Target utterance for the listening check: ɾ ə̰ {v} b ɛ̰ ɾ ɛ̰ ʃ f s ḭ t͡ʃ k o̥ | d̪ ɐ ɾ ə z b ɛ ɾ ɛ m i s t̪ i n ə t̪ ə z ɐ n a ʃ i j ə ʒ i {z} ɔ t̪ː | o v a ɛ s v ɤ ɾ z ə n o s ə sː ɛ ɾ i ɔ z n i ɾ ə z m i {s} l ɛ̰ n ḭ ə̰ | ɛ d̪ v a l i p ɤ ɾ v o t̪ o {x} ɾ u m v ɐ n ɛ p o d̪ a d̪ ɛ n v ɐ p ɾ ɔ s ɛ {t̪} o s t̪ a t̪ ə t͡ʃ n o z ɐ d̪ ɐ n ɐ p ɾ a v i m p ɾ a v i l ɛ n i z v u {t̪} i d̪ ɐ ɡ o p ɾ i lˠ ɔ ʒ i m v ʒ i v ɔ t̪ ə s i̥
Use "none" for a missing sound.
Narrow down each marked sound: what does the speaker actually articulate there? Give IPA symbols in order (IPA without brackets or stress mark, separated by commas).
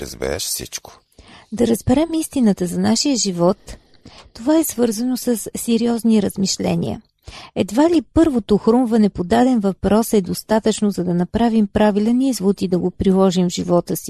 z, v, ʃ, x, d̪, t̪